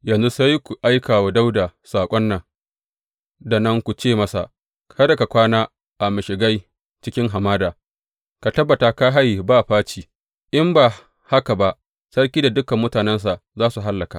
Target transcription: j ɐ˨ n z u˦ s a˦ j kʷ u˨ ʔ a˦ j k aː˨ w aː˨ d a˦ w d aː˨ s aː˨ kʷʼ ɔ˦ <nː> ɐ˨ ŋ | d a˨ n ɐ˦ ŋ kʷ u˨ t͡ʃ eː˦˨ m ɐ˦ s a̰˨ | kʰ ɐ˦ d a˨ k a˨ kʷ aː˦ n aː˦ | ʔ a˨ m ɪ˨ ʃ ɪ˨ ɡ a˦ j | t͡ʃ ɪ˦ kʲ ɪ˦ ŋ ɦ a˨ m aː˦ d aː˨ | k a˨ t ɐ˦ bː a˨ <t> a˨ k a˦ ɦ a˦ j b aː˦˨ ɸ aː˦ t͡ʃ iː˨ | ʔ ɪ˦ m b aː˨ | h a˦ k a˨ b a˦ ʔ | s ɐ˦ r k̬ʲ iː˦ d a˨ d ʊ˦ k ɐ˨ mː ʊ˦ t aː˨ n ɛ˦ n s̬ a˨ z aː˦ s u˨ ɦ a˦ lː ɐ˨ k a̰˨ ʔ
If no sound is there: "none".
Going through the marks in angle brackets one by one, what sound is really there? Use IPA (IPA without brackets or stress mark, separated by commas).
nː, t